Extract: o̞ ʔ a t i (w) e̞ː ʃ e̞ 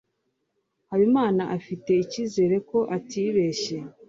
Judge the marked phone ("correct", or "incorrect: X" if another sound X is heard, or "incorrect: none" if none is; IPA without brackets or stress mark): incorrect: β